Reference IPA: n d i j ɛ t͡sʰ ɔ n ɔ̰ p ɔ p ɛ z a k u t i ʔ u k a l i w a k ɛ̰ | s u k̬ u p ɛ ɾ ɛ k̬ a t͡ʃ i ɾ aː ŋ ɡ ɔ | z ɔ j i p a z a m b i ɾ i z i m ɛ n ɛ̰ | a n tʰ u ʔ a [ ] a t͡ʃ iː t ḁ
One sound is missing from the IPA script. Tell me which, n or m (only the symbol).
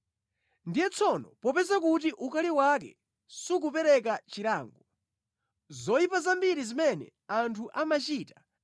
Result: m